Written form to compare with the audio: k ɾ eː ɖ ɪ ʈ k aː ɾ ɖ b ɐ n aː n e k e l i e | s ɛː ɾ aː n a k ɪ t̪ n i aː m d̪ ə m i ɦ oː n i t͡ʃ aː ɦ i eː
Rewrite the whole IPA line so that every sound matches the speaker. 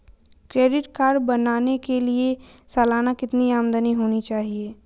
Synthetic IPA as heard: k ɾ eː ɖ ɪ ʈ k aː ɾ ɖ b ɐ n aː n e k e l i e | s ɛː l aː n a k ɪ t̪ n i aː m d̪ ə n i ɦ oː n i t͡ʃ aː ɦ i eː